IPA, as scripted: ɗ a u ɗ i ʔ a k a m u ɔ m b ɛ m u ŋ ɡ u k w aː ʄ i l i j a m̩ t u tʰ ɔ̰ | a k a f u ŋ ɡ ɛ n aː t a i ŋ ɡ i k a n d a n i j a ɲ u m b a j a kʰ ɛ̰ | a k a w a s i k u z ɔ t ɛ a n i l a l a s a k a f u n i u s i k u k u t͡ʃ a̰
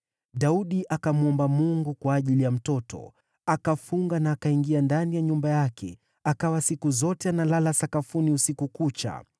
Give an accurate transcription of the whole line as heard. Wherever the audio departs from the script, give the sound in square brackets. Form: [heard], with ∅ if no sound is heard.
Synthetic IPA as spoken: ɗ a u ɗ i ʔ a k a m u ɔ m b [a] m u ŋ ɡ u k w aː ʄ i l i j a m̩ t [ɔ] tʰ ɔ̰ | a k a f u ŋ ɡ [a] n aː [k] a i ŋ ɡ i [∅] a n d a n i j a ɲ u m b a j a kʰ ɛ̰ | a k a w a s i k u z ɔ t ɛ a n [a] l a l a s a k a f u n i u s i k u k u t͡ʃ a̰